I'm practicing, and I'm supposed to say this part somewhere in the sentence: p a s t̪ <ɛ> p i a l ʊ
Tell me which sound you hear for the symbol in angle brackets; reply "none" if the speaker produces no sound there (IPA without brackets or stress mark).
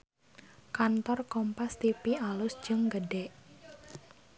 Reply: i